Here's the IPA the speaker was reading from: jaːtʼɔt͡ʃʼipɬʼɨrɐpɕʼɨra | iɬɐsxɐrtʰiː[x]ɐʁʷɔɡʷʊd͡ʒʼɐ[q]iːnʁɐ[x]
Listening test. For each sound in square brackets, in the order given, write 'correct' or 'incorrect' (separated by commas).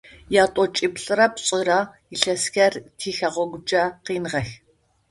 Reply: correct, correct, correct